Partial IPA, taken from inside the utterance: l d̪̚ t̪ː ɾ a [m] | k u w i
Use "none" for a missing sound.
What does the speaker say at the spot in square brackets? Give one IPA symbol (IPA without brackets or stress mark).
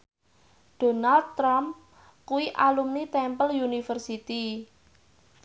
m